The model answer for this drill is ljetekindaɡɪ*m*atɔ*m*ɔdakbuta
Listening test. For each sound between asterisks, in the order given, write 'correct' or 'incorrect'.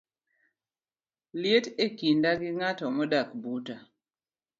incorrect: ŋ, correct

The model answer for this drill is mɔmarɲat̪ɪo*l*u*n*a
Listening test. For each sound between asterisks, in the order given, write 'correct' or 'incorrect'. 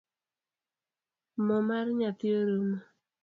incorrect: ɾ, incorrect: m

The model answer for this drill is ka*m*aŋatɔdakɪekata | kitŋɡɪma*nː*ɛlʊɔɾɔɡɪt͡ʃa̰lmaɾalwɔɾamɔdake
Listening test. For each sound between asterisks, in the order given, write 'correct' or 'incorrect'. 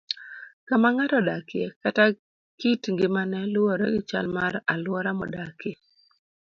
correct, incorrect: n

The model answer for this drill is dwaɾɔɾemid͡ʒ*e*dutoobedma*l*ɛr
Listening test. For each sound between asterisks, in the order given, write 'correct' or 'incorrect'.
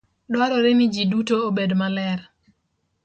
incorrect: i, correct

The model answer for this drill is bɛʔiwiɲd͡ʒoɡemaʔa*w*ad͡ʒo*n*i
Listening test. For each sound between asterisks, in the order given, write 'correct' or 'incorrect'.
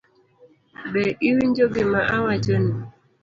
correct, correct

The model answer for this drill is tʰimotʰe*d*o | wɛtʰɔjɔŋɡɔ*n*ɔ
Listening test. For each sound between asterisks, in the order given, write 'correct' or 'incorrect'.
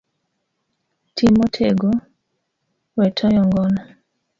incorrect: ɡ, correct

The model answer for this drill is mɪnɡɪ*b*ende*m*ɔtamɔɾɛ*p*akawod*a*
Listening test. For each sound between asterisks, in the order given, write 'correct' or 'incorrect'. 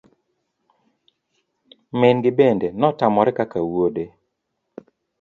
correct, incorrect: n, incorrect: k, incorrect: e

